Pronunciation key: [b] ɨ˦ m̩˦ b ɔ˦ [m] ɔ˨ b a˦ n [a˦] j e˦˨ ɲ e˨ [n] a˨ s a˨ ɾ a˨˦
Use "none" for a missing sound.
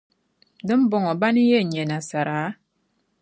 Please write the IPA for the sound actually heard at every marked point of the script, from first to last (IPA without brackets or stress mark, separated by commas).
d, ŋ, i˦, n